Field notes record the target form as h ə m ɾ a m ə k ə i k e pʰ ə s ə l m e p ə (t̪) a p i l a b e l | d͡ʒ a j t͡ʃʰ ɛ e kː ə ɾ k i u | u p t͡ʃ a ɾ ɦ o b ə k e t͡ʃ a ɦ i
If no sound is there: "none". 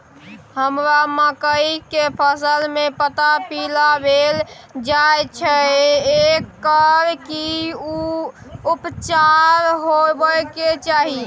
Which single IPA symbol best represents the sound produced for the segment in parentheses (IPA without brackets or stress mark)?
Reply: t̪